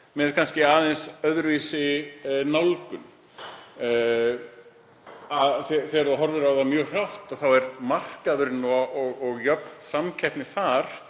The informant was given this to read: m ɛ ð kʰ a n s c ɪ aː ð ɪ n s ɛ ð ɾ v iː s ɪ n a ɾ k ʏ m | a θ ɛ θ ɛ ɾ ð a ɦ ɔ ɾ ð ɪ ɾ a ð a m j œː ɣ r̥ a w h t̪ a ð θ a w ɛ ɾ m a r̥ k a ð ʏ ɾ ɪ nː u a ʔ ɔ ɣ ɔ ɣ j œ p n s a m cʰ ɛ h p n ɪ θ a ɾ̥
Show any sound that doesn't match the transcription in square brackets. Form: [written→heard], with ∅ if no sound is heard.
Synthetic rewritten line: m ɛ ð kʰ a n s c ɪ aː ð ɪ n s [ɛ→œ] ð ɾ v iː s ɪ n a [ɾ→l] k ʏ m | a θ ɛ θ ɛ ɾ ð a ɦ ɔ ɾ [ð→v] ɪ ɾ a ð a m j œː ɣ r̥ a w h t̪ a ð θ a w ɛ ɾ m a r̥ k a ð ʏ ɾ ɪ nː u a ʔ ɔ ɣ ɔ ɣ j œ p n s a m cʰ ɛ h p n ɪ θ a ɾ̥